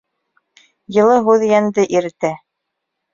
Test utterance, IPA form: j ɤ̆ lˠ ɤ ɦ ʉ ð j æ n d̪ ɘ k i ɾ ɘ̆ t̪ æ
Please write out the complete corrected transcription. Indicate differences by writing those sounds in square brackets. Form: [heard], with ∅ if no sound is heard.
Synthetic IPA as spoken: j ɤ̆ lˠ ɤ ɦ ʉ ð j æ n d̪ ɘ [ʔ] i ɾ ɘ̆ t̪ æ